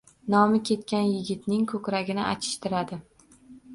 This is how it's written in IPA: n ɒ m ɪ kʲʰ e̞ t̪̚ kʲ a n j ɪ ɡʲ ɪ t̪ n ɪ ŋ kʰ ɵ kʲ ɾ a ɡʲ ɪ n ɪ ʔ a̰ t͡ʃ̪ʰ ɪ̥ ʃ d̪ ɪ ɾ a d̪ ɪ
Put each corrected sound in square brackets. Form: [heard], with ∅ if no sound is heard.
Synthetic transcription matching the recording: n ɒ m ɪ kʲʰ e̞ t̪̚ kʲ a n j ɪ ɡʲ ɪ t̪ n ɪ ŋ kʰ ɵ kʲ ɾ a ɡʲ ɪ n ɪ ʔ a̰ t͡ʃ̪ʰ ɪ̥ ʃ [t̪] ɪ ɾ a d̪ ɪ

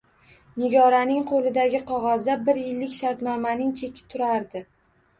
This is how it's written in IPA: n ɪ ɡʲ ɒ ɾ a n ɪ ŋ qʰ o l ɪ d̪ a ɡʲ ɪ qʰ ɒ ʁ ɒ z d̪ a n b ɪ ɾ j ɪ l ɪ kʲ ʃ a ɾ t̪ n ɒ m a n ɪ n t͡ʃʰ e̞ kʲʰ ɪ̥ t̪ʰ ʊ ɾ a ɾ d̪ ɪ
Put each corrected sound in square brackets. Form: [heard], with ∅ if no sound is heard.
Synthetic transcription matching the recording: n ɪ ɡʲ ɒ ɾ a n ɪ ŋ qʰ o l ɪ d̪ a ɡʲ ɪ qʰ ɒ ʁ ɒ z d̪ a [∅] b ɪ ɾ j ɪ [lː] ɪ kʲ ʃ a ɾ t̪ n ɒ m a n ɪ [ŋ] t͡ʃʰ e̞ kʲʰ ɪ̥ t̪ʰ ʊ ɾ a ɾ d̪ ɪ

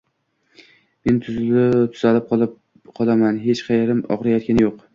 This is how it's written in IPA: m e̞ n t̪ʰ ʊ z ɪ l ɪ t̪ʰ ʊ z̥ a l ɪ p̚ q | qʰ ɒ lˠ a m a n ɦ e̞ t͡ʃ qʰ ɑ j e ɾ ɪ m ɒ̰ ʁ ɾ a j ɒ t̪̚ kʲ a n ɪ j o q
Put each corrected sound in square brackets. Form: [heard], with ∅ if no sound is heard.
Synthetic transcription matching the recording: m e̞ n t̪ʰ ʊ z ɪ l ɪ t̪ʰ ʊ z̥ a l ɪ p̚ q | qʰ ɒ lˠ a m a n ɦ e̞ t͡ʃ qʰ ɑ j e ɾ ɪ m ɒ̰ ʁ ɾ a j ɒ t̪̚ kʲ a n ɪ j o q

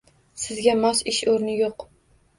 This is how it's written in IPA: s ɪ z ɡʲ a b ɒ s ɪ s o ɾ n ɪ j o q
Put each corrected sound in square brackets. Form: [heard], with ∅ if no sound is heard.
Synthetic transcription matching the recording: s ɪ z ɡʲ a [m] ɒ s ɪ [ʃ] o ɾ n ɪ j o q

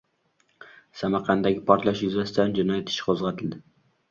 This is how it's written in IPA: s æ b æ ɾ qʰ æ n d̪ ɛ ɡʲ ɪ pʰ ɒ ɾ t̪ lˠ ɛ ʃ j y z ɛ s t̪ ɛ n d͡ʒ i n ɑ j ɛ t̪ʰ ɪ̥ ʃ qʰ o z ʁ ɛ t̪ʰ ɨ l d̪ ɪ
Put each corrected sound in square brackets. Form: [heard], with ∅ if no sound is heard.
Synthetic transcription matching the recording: s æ [m] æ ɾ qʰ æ n d̪ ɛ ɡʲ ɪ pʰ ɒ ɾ t̪ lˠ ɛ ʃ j y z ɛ s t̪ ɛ n d͡ʒ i n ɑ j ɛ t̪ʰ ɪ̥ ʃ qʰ o z ʁ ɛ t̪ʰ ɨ l d̪ ɪ

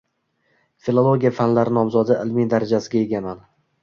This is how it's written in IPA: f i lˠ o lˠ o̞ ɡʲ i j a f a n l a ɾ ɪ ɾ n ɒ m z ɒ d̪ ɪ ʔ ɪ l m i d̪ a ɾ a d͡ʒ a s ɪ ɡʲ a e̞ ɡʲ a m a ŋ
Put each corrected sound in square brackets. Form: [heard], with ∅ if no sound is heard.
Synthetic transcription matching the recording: f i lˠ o lˠ o̞ ɡʲ i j a f a n l a ɾ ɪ [∅] n ɒ m z ɒ d̪ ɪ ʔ ɪ l m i d̪ a ɾ a d͡ʒ a s ɪ ɡʲ a e̞ ɡʲ a m a [n]

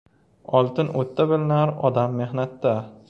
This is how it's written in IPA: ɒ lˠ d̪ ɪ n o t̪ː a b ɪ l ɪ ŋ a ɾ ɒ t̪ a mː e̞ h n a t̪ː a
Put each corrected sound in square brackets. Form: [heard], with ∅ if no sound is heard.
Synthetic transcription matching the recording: ɒ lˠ [t̪] ɪ n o t̪ː a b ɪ l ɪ [n] a ɾ ɒ [d̪] a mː e̞ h n a t̪ː a

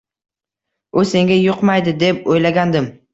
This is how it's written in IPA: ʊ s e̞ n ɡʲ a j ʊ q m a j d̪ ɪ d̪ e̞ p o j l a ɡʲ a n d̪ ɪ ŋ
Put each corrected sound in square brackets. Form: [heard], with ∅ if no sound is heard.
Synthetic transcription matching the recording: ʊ s e̞ [ŋ] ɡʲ a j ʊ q m a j d̪ ɪ d̪ e̞ p o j l a ɡʲ a n d̪ ɪ [m]

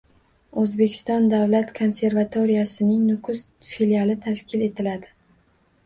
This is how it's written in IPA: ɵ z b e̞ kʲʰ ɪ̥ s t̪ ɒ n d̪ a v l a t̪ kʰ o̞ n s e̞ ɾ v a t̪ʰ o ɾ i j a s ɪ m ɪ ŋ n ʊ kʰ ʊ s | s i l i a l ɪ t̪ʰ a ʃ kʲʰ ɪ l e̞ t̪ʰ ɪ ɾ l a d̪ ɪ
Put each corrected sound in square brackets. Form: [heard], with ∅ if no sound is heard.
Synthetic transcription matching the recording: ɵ z b e̞ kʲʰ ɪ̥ s t̪ ɒ n d̪ a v l a t̪ kʰ o̞ n s e̞ ɾ v a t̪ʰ o ɾ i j a s ɪ [n] ɪ ŋ n ʊ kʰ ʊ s | [f] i l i a l ɪ t̪ʰ a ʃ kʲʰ ɪ l e̞ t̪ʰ ɪ [∅] l a d̪ ɪ

